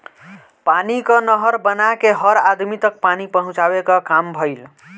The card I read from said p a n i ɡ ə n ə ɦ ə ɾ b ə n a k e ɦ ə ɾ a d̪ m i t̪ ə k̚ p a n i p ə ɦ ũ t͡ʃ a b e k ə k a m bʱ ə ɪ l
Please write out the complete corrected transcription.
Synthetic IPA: p a n i k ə n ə ɦ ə ɾ b ə n a k e ɦ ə ɾ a d̪ m i t̪ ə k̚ p a n i p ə ɦ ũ t͡ʃ a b e k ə k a m bʱ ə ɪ l

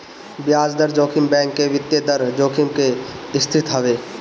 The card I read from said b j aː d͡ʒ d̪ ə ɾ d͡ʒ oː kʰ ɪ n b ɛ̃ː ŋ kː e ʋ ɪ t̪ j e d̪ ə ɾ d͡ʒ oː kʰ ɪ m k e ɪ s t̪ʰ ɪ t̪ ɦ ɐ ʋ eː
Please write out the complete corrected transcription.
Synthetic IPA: b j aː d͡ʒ d̪ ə ɾ d͡ʒ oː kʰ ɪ m b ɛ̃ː ŋ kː e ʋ ɪ t̪ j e d̪ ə ɾ d͡ʒ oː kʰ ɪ m k e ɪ s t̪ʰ ɪ t̪ ɦ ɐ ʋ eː

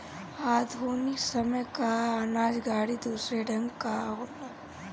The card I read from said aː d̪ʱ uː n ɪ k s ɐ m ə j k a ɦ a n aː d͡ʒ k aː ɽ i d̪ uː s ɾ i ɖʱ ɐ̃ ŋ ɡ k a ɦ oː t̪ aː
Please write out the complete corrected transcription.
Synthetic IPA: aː d̪ʱ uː n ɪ k s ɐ m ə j k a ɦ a n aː d͡ʒ ɡ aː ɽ i d̪ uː s ɾ e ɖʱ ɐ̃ ŋ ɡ k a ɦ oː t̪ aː

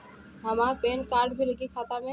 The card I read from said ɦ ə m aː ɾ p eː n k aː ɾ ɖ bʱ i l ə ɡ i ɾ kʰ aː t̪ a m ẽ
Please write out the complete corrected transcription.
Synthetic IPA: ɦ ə m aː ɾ p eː n k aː ɾ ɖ bʱ i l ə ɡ i kʰ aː t̪ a m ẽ

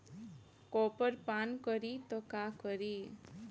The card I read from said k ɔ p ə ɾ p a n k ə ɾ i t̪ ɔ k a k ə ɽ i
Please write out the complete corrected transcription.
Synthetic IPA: k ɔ p ə ɾ p a n k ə ɾ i t̪ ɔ k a k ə ɾ i

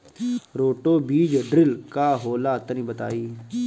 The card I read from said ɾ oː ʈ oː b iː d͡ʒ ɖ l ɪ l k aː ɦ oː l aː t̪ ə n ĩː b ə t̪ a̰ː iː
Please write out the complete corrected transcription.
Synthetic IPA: ɾ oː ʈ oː b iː d͡ʒ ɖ ɾ ɪ l k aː ɦ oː l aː t̪ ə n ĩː b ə t̪ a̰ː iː

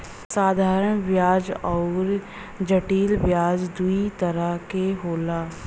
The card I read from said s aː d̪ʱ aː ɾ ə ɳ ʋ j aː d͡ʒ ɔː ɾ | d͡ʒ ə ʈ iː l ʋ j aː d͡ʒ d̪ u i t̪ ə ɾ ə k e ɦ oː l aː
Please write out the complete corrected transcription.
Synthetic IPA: s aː d̪ʱ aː ɾ ə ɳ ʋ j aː d͡ʒ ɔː ɾ | d͡ʒ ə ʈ iː l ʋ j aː d͡ʒ d̪ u i t̪ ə ɾ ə k e ɦ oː l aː

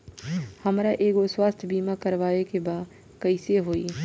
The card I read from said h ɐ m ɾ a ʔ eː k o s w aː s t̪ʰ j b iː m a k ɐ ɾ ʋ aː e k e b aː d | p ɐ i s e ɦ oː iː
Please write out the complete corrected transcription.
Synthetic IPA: h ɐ m ɾ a ʔ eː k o s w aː s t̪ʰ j b iː m a k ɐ ɾ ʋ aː e k e b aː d | k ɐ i s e ɦ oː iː

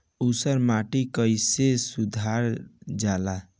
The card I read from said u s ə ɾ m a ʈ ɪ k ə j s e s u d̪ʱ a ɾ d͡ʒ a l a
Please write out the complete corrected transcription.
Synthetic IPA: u s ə ɾ m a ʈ i k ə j s e s u d̪ʱ a ɾ d͡ʒ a l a

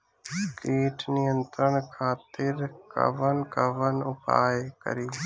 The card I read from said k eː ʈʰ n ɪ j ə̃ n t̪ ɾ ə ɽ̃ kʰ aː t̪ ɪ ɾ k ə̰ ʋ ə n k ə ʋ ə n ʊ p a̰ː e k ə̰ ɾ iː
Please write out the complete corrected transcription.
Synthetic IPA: k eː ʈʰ n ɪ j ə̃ n t̪ ɾ ə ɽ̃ kʰ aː t̪ ɪ ɾ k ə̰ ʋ ə n k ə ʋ ə n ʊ p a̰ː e k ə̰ ɾ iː

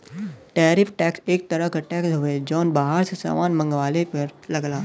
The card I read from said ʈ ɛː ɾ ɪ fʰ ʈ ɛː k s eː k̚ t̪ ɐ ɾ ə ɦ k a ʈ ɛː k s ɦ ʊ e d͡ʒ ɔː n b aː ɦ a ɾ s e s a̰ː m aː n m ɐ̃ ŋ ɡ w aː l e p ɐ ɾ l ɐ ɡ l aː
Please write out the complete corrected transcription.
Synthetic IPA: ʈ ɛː ɾ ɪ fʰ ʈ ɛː k s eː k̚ t̪ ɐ ɾ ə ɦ k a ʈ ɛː k s ɦ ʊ e d͡ʒ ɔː n b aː ɦ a ɾ s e s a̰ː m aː n m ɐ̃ ŋ ɡ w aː l e p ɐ ɾ l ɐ ɡ l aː

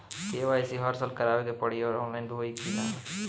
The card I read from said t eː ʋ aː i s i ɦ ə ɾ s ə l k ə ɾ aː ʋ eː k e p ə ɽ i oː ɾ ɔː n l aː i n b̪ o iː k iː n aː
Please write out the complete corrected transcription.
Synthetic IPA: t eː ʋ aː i s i ɦ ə ɾ s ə l k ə ɾ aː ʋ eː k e p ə ɽ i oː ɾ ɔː n l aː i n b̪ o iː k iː n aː

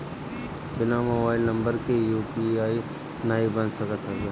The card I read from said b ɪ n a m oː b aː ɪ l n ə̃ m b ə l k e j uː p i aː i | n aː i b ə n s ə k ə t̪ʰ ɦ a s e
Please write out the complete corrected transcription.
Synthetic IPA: b ɪ n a m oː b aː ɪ l n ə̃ m b ə ɾ k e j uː p i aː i | n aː i b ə n s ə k ə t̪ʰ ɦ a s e

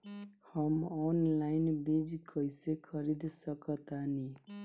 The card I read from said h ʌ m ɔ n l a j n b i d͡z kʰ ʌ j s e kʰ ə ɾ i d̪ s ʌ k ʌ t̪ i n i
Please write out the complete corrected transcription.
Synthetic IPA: h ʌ m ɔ n l a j n b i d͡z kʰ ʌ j s e kʰ ʌ ɾ i d̪ s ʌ k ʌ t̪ a n i

